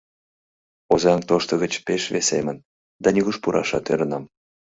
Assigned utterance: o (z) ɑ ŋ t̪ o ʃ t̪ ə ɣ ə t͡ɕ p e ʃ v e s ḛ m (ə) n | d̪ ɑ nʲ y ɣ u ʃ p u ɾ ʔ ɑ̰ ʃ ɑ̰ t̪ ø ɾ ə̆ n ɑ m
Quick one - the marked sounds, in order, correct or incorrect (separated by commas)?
correct, correct